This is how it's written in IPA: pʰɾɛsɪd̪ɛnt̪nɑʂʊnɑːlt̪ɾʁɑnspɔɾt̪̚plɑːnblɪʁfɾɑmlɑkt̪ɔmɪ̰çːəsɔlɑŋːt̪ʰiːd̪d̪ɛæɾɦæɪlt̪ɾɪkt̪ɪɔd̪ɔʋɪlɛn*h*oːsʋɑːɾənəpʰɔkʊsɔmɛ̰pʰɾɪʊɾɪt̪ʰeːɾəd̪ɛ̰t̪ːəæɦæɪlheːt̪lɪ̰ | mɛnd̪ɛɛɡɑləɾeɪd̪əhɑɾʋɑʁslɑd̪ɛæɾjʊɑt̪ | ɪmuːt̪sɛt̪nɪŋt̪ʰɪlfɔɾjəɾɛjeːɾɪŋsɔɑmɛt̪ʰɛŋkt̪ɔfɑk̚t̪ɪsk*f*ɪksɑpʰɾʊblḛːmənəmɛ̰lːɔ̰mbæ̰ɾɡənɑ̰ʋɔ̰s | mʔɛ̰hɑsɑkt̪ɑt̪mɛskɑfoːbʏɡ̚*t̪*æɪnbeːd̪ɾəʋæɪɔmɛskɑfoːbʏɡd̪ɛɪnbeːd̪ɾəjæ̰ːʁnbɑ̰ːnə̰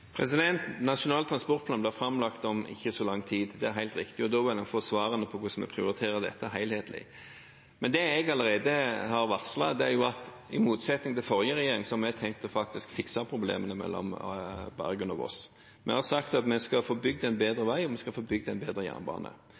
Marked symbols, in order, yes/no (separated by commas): no, yes, no